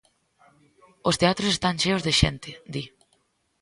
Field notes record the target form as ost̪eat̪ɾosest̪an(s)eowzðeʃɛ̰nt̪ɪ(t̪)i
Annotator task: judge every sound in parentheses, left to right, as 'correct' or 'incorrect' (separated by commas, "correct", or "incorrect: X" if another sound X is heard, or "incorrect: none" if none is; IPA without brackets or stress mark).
incorrect: ʃ, incorrect: d̪